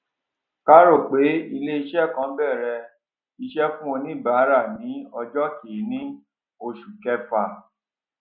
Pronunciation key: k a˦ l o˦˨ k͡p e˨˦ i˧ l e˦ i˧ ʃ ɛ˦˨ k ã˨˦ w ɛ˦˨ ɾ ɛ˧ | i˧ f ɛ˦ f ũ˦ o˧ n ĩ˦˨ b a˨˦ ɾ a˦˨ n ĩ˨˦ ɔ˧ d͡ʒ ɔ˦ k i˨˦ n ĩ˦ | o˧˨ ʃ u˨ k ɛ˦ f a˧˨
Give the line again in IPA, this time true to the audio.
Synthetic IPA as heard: k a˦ ɾ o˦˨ k͡p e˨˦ i˧ l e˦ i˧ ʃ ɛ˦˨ k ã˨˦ b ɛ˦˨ ɾ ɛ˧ | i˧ ʃ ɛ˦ f ũ˦ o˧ n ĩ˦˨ b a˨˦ ɾ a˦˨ n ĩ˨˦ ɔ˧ d͡ʒ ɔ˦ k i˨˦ n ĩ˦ | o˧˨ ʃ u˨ k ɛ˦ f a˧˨